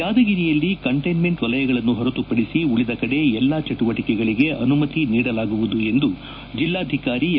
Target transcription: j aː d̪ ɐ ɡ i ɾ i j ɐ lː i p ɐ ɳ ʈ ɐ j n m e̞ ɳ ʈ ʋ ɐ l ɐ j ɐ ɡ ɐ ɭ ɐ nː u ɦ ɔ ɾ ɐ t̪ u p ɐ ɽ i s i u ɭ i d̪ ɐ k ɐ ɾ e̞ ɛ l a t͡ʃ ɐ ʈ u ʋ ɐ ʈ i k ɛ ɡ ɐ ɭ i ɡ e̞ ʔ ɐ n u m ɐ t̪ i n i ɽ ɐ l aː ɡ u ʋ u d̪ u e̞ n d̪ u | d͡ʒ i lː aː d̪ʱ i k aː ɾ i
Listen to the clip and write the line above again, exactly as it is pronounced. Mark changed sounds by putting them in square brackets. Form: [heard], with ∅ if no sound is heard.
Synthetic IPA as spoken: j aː d̪ ɐ ɡ i ɾ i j ɐ lː i [k] ɐ ɳ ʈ ɐ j n m e̞ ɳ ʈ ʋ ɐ l ɐ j ɐ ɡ ɐ ɭ ɐ nː u ɦ ɔ ɾ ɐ t̪ u p ɐ ɽ i s i u ɭ i d̪ ɐ k ɐ [ɽ] e̞ ɛ [lː] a t͡ʃ ɐ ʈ u ʋ ɐ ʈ i k ɛ ɡ ɐ ɭ i ɡ e̞ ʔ ɐ n u m ɐ t̪ i n [iː] ɽ ɐ l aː ɡ u ʋ u d̪ u e̞ n d̪ u | d͡ʒ i lː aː d̪ʱ i k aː ɾ i